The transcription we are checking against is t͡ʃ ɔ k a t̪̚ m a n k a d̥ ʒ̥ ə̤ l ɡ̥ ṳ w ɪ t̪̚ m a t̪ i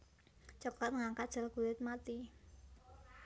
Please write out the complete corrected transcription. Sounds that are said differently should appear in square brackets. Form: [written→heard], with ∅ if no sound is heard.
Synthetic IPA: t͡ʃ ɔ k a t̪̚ [m→ŋ] a [n→ŋ] k a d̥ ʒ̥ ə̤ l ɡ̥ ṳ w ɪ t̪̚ m a t̪ i